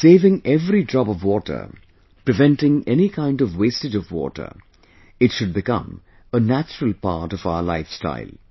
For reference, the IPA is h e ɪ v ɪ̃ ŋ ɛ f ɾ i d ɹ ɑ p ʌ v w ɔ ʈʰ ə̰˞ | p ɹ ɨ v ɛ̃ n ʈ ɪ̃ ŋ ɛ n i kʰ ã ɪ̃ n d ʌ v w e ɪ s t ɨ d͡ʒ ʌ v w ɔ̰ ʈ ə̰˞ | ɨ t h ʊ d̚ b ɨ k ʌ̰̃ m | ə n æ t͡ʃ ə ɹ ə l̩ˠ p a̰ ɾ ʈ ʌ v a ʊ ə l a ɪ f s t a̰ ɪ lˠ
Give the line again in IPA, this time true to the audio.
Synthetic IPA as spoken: s e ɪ v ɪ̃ ŋ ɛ v ɾ i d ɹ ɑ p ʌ v w ɔ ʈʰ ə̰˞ | p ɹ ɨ v ɛ̃ n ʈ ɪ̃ ŋ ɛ n i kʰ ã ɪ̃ n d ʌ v w e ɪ s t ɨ d͡ʒ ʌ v w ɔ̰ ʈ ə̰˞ | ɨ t ʃ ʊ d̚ b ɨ k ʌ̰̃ m | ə n æ t͡ʃ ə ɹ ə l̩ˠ p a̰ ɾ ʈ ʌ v a ʊ ə l a ɪ f s t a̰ ɪ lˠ